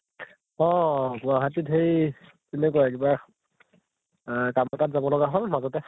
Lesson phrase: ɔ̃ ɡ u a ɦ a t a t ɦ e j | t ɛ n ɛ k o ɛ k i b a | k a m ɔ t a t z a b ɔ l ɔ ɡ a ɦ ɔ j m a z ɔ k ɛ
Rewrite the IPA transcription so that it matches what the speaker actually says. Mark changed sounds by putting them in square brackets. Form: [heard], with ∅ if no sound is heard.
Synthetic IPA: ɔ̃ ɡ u a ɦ a t [i] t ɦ e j | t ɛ n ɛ k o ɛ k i b a | k a m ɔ t a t z a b ɔ l ɔ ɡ a ɦ ɔ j m a z ɔ [t] ɛ